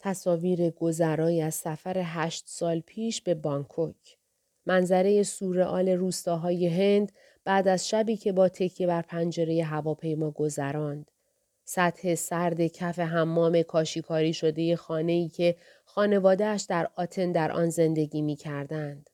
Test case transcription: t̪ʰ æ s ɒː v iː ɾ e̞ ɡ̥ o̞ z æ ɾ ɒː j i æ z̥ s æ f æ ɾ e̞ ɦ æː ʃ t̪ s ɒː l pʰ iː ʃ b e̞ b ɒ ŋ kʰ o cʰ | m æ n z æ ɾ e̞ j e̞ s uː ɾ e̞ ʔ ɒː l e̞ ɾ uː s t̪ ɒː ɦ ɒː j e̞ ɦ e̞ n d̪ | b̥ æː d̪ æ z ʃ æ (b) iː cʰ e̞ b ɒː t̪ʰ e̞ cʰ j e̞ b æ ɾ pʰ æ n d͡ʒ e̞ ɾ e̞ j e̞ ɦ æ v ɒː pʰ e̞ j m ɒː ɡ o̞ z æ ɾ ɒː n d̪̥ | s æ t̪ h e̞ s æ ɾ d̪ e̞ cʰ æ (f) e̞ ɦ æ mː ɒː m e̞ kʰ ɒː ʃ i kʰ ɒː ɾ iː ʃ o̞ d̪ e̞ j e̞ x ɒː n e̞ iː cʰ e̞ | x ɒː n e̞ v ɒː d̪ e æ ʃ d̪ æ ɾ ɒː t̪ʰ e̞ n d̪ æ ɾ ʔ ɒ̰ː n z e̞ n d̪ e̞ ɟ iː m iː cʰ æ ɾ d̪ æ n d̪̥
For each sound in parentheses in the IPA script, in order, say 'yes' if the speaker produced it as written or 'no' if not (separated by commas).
yes, yes